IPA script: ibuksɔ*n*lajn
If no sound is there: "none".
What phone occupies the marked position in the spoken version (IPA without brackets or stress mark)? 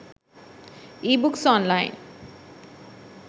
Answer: n